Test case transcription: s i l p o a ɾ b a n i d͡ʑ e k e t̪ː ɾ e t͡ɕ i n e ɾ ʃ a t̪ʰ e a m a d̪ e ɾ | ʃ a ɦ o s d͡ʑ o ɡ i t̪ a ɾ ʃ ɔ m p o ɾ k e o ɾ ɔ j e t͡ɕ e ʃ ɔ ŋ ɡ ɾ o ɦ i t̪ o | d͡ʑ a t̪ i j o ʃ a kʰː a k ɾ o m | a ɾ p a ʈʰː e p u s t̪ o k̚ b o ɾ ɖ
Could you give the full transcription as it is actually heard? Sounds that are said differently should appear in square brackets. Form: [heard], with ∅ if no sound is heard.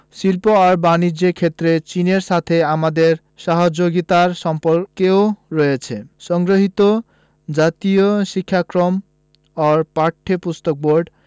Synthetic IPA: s i l p o a ɾ b a n i d͡ʑ e [kʰ] e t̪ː ɾ e t͡ɕ i n e ɾ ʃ a t̪ʰ e a m a d̪ e ɾ | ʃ a ɦ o [∅] d͡ʑ o ɡ i t̪ a ɾ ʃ ɔ m p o ɾ k e o ɾ ɔ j e [t͡ɕʰ] e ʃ ɔ ŋ ɡ ɾ o ɦ i t̪ o | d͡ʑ a t̪ i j o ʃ [i] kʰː a k ɾ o m | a ɾ p a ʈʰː e p u s t̪ o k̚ b o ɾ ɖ